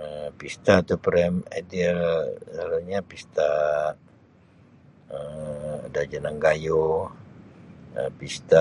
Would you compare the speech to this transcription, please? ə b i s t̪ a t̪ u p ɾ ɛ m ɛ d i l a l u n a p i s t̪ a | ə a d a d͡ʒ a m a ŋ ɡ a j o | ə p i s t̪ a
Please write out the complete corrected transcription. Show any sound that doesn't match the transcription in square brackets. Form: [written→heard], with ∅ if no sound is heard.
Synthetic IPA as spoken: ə [b→p] i s t̪ a t̪ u p ɾ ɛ m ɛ d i l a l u [n→ɲ] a p i s t̪ a | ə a d a d͡ʒ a [m→n] a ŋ ɡ a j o | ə p i s t̪ a